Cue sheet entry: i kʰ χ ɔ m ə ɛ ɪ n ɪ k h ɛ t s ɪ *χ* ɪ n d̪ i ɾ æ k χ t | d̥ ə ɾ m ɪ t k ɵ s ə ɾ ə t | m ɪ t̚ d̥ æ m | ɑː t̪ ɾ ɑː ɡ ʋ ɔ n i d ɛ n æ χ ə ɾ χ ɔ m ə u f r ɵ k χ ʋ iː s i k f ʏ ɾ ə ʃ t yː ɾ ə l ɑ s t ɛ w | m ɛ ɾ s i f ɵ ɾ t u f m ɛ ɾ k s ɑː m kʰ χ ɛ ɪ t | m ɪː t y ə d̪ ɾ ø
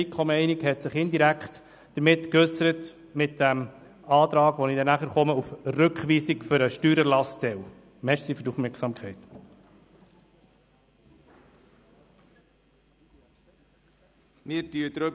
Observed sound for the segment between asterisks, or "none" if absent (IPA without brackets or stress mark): χ